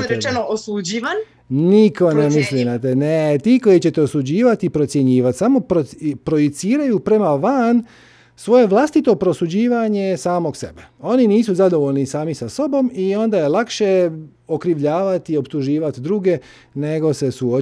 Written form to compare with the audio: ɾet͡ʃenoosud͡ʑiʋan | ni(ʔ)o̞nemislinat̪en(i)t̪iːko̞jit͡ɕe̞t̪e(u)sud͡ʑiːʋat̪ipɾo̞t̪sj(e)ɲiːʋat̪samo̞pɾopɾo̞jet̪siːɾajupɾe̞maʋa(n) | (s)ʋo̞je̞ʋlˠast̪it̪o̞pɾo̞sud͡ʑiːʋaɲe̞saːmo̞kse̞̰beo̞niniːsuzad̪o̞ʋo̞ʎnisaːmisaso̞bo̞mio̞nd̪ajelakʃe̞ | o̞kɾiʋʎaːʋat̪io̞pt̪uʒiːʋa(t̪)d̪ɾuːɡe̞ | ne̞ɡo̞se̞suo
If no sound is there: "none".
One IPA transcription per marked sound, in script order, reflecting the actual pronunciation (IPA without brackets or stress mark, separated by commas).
k, e, o, e, n, s, t̪